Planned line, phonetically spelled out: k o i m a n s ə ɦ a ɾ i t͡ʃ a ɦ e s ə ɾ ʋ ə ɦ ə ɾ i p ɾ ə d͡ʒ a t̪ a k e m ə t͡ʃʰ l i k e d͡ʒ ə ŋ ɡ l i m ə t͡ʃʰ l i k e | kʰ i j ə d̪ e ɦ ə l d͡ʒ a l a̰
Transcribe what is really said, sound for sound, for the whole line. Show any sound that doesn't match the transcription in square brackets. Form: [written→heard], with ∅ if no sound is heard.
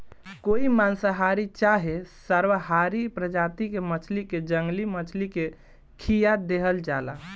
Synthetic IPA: k o i m a n s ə ɦ a ɾ i t͡ʃ a ɦ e s ə ɾ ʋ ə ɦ [ə→a] ɾ i p ɾ ə d͡ʒ a t̪ [a→i] k e m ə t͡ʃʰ l i k e d͡ʒ ə ŋ ɡ l i m ə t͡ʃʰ l i k e | kʰ i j [ə→a] d̪ e ɦ ə l d͡ʒ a l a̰

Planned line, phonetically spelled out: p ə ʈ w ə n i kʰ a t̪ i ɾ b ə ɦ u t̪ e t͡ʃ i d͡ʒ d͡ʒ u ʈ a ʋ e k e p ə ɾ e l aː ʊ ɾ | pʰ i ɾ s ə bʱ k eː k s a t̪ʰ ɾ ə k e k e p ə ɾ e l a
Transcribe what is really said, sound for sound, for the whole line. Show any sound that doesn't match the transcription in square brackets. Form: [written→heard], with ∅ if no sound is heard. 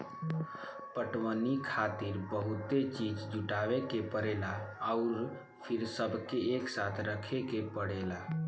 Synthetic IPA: p ə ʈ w ə n i kʰ a t̪ i ɾ b ə ɦ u t̪ e t͡ʃ i d͡ʒ d͡ʒ u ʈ a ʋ e k e p ə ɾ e l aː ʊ ɾ | pʰ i ɾ s ə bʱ k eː k s a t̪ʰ ɾ ə [k→kʰ] e k e p ə [ɾ→ɽ] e l a

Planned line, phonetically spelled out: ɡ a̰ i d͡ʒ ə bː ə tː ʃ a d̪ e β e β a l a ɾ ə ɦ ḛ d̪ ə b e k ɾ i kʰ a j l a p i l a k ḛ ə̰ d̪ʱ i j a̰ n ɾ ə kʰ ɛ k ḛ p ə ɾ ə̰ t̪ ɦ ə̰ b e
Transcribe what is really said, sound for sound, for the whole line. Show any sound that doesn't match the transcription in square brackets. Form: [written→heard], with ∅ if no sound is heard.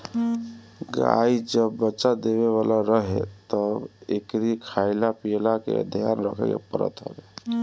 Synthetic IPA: ɡ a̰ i d͡ʒ ə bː ə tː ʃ a d̪ e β e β a l a ɾ ə ɦ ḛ [d̪→t̪] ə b e k ɾ i kʰ a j l a p i l a k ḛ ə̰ d̪ʱ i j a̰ n ɾ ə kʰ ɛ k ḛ p ə ɾ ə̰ t̪ ɦ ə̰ b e

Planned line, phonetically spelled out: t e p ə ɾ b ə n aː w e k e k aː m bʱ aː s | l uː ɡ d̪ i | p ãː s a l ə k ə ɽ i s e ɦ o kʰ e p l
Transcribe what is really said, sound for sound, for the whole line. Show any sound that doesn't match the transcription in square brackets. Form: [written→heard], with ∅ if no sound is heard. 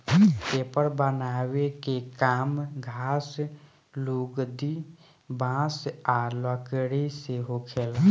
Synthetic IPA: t e p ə ɾ b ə n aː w e k e k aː m [bʱ→ɡʱ] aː s | l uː ɡ d̪ i | [p→b] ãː s a l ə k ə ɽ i s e ɦ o kʰ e [p→∅] l

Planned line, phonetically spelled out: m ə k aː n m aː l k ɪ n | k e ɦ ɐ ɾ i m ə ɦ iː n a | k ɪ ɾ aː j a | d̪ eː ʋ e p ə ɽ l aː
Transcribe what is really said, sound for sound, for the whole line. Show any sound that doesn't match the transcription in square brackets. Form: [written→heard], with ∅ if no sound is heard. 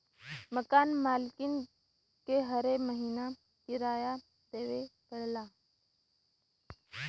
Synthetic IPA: m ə k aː n m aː l k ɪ n | k e ɦ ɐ ɾ [i→e] m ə ɦ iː n a | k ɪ ɾ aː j a | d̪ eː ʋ e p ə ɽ l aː

